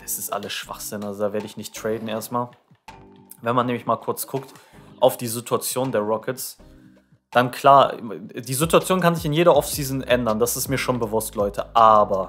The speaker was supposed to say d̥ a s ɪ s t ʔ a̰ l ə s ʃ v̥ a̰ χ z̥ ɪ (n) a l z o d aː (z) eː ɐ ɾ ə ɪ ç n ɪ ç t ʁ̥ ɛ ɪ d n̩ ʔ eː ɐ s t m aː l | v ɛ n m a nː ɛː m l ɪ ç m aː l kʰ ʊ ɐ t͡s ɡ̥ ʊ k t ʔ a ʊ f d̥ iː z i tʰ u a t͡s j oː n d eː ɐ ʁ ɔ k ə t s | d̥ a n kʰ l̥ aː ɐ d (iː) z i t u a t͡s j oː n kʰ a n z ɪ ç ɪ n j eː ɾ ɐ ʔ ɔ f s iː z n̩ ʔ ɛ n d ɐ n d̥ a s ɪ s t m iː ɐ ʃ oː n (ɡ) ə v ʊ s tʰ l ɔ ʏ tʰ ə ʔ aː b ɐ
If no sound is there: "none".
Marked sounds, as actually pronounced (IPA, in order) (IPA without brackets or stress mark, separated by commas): n, v, iː, b